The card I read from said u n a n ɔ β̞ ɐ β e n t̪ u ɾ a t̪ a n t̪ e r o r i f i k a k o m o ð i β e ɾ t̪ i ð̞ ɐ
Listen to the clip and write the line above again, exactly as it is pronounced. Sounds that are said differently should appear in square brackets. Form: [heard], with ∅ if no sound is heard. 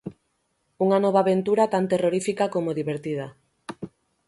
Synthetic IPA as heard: u [ŋ] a n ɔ β̞ [a] β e n t̪ u ɾ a t̪ a n t̪ e r o [ɾ] i f i k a k o m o ð i β e ɾ t̪ i ð̞ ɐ